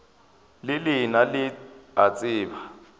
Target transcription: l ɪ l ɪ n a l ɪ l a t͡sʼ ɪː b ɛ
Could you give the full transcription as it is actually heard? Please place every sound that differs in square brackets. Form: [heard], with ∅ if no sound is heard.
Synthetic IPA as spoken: l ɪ l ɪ n a l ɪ [∅] a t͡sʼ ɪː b [a]

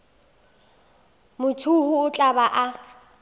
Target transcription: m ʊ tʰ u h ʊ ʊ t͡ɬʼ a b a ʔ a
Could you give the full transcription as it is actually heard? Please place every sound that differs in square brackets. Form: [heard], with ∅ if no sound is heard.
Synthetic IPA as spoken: m ʊ tʰ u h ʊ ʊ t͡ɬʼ a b a ʔ a

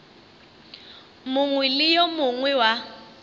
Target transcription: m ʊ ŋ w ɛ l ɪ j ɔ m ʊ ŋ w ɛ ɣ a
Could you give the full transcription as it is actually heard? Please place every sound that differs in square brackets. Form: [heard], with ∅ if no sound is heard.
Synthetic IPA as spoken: m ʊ ŋ w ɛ l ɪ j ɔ m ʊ ŋ w ɛ [w] a

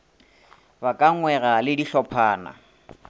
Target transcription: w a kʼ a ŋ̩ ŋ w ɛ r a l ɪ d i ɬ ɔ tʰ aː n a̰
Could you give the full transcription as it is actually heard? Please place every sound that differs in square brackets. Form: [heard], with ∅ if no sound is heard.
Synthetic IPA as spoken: [b] a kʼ a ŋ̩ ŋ w ɛ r a l ɪ d i ɬ ɔ [pʰ] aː n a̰

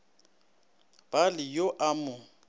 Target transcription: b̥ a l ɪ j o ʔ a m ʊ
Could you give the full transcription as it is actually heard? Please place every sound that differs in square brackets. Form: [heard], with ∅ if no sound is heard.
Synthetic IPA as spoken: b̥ a l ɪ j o ʔ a m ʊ

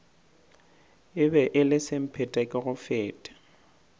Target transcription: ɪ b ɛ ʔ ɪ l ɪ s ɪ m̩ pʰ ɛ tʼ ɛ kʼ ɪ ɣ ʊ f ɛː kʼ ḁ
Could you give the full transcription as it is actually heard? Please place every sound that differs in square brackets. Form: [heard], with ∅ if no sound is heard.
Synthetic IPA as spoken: ɪ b ɛ ʔ ɪ l ɪ s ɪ m̩ pʰ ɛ tʼ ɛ kʼ ɪ ɣ ʊ f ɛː [tʼ] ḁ

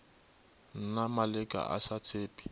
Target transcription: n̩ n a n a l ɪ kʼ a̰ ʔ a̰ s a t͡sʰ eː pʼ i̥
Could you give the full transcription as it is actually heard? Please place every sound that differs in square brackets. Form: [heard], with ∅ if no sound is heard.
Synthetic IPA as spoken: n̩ n a [m] a l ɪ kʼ a̰ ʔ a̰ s a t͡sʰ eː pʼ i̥

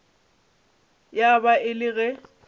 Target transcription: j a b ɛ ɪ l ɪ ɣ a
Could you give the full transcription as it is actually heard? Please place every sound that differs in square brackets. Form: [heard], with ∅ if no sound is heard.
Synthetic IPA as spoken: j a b [a] ɪ l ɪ ɣ [ɛ]

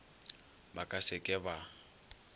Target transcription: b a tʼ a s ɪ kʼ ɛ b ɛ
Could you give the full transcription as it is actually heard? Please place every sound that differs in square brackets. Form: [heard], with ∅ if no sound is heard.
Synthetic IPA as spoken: b a [kʼ] a s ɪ kʼ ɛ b [a]

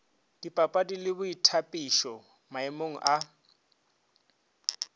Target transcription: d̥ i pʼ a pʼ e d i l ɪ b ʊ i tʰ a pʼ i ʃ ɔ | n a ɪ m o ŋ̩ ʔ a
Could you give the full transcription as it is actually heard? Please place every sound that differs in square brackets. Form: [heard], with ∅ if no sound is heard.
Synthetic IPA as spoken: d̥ i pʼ a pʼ [a] d i l ɪ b ʊ i tʰ a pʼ i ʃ ɔ | [m] a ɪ m o ŋ̩ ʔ a

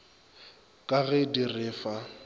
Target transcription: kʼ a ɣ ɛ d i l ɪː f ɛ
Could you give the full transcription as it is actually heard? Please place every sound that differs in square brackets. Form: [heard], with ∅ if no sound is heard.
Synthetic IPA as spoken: kʼ a ɣ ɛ d i [r] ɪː f [a]

